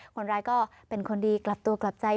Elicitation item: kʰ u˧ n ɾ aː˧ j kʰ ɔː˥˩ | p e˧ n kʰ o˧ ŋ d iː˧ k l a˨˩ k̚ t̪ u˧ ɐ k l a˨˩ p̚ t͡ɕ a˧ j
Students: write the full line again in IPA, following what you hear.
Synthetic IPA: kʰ o˧ n ɾ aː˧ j k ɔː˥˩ | p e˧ n kʰ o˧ n d iː˧ k l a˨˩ p̚ t̪ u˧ ɐ k l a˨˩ p̚ t͡ɕ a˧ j